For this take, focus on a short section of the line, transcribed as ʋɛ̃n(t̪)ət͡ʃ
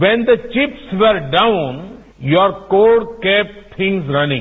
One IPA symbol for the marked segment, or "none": d̪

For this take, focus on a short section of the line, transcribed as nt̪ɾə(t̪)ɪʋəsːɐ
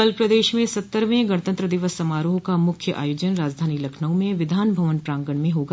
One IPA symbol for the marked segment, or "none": d̪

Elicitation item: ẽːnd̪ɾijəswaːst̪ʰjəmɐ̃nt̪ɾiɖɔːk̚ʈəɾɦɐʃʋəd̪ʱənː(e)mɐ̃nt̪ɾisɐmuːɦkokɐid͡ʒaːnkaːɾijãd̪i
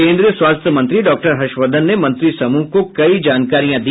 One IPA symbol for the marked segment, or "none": e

